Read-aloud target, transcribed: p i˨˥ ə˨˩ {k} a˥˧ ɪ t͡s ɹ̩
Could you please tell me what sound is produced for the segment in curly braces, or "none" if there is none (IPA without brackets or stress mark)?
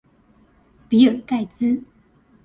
k